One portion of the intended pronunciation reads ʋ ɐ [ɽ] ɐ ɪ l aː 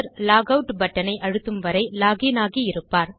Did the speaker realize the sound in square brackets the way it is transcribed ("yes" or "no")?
no